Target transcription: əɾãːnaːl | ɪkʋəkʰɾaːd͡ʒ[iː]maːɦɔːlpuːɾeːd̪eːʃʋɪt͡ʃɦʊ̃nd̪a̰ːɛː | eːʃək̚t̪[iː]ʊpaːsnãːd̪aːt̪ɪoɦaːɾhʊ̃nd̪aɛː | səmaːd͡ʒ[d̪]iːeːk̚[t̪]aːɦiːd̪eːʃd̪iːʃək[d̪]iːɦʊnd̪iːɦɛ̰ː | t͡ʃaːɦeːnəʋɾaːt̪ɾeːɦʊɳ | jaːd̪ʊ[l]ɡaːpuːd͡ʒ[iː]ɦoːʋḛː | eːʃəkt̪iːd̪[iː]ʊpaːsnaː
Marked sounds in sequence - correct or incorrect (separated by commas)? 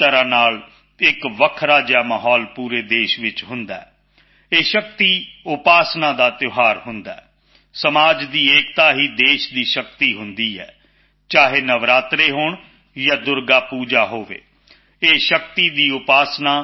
incorrect, correct, correct, correct, incorrect, incorrect, incorrect, correct